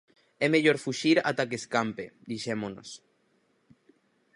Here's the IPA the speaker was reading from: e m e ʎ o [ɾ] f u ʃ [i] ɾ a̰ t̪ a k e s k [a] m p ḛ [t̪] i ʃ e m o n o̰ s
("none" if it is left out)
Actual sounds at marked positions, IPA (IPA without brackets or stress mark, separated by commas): ɾ, i, a, d̪